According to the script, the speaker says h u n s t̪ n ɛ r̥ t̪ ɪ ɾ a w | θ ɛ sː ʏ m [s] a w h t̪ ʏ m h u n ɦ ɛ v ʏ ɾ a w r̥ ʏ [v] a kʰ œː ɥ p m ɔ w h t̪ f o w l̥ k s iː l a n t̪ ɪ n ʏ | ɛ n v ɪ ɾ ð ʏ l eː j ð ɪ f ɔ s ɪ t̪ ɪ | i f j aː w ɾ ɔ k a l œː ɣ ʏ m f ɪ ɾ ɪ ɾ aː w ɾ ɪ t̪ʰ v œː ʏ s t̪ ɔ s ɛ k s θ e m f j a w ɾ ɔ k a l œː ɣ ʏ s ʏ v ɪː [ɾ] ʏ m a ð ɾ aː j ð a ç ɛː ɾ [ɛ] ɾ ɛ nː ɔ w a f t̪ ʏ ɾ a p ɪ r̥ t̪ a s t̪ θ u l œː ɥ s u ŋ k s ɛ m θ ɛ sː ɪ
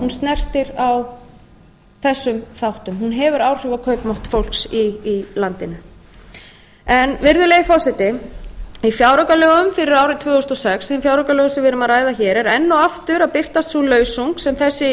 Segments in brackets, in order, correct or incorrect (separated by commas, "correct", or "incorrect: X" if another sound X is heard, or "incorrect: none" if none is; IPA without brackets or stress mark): incorrect: θ, correct, correct, correct